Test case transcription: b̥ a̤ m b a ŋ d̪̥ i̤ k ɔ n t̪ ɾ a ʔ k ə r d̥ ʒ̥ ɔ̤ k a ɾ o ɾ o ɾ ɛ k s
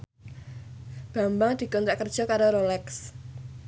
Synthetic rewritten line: b̥ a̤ m b a ŋ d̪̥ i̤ k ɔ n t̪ ɾ a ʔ k ə r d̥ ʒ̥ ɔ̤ k a ɾ o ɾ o l ɛ k s